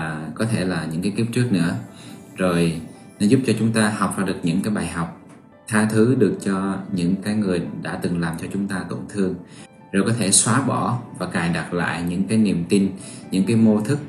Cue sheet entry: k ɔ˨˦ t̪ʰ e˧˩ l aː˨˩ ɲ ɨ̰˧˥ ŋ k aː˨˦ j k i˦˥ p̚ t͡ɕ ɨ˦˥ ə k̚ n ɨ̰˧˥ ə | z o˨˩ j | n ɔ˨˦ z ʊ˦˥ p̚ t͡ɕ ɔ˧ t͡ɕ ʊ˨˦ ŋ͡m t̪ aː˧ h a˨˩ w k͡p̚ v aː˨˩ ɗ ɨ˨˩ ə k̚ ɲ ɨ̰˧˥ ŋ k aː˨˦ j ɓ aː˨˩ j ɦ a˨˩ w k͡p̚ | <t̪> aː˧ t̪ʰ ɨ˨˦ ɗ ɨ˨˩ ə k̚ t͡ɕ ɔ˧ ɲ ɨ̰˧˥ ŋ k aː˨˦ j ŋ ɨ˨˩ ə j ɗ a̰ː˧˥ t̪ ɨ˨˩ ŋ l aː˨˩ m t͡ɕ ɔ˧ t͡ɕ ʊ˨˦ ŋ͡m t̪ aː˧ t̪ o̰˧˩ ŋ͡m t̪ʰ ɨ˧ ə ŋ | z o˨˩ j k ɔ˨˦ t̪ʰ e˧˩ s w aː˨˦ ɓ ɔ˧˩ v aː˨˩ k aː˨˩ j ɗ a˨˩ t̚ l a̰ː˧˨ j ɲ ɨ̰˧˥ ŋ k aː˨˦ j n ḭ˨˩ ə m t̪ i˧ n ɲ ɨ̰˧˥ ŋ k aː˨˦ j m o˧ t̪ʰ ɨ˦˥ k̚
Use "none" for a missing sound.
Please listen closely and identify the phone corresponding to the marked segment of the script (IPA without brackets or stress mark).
t̪ʰ